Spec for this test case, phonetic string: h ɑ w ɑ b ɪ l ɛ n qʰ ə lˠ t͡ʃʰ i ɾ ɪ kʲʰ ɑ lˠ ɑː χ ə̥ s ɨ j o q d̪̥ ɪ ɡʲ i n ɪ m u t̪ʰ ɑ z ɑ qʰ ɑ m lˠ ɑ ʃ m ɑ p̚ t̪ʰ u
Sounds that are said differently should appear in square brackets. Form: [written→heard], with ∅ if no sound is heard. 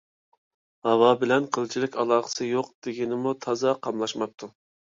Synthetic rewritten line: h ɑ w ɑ b ɪ l ɛ n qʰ ə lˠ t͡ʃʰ i [ɾ→l] ɪ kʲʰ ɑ lˠ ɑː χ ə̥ s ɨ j o q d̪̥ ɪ ɡʲ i n ɪ m u t̪ʰ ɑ z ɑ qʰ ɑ m lˠ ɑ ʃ m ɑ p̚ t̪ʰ u